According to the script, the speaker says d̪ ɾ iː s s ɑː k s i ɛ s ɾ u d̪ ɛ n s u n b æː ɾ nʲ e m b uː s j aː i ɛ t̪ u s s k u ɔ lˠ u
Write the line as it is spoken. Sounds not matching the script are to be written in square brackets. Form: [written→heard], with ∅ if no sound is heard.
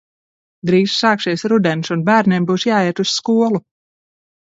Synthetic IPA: d̪ ɾ iː s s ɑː k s i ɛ s ɾ u d̪ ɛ n s u n b æː ɾ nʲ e m b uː s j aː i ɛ t̪ u s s k u ɔ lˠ u